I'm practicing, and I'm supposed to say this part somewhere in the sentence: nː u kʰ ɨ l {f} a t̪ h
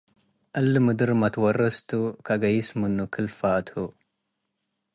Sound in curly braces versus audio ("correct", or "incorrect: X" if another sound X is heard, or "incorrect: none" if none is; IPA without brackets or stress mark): correct